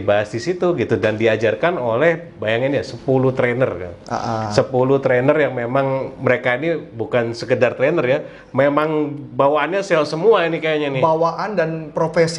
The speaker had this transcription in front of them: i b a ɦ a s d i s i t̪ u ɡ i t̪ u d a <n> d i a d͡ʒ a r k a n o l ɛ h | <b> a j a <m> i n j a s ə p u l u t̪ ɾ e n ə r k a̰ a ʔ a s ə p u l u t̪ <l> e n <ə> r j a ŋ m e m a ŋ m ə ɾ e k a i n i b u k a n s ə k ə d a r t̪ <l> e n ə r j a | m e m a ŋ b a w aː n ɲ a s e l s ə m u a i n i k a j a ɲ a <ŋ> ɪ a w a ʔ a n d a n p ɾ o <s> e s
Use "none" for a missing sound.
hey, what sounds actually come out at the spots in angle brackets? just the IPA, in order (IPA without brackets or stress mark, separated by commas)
n, b, ŋ, ɾ, ə, ɾ, n, f